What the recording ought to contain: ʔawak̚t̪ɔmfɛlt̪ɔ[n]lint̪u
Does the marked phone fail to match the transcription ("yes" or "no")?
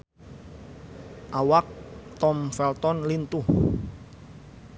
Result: no